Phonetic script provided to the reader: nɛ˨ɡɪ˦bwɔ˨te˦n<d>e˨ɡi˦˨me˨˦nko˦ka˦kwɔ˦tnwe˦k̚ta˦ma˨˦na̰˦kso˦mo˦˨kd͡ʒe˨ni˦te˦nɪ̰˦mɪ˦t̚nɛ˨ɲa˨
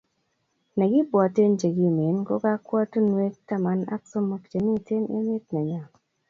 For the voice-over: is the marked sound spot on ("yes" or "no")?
no